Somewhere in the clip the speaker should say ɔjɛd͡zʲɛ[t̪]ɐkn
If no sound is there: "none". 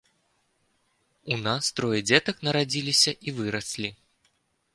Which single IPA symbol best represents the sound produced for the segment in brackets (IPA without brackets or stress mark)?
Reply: t̪